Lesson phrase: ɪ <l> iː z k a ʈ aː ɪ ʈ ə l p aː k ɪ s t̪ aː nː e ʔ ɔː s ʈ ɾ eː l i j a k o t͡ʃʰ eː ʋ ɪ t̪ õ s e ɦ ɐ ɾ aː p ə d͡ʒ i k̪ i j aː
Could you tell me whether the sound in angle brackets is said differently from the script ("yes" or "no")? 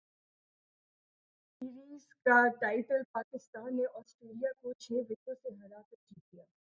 yes